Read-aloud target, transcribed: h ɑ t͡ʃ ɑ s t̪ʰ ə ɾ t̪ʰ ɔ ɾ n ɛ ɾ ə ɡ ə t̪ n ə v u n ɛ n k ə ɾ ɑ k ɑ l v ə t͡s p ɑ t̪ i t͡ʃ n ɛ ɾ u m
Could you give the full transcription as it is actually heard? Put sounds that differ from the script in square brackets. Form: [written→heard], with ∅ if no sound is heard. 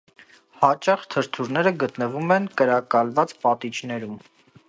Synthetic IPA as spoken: h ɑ t͡ʃ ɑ [s→χ] t̪ʰ ə ɾ t̪ʰ [ɔ→u] ɾ n ɛ ɾ ə ɡ ə t̪ n ə v u [n→m] ɛ n k ə ɾ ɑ k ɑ l v [ə→ɑ] t͡s p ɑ t̪ i t͡ʃ n ɛ ɾ u m